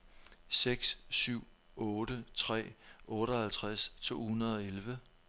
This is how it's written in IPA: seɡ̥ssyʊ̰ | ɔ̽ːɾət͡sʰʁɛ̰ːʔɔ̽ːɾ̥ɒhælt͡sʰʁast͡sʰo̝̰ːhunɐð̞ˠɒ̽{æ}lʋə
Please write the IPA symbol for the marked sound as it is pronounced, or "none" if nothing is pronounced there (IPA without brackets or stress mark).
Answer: e